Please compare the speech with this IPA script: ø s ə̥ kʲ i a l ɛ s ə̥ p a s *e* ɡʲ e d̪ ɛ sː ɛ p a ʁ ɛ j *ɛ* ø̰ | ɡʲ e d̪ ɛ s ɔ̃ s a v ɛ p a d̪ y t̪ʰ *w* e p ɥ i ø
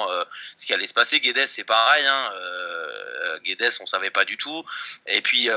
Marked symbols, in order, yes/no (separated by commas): yes, no, no